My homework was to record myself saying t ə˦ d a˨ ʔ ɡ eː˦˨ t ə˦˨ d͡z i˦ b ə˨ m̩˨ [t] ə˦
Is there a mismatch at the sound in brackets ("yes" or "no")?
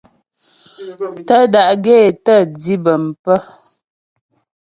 yes